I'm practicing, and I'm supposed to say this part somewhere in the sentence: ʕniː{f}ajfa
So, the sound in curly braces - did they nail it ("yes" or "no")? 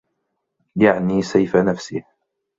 no